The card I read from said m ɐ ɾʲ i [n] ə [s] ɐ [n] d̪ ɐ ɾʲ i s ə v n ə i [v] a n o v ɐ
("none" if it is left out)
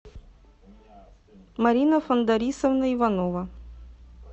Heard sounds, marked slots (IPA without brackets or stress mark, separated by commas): n, f, n, v